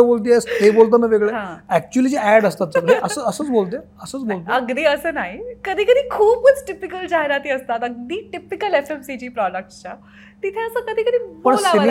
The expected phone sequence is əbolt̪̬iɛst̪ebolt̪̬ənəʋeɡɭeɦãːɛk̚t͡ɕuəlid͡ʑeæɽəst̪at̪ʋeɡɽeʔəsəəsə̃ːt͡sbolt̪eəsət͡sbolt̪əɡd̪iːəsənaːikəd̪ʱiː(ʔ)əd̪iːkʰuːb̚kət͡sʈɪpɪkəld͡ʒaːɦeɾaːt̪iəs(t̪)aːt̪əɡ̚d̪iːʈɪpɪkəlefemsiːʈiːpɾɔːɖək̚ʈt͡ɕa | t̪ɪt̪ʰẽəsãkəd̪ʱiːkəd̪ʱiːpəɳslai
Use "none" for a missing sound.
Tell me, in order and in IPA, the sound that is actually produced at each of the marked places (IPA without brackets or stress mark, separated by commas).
k, t̪